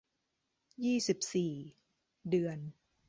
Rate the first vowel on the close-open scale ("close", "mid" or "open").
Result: close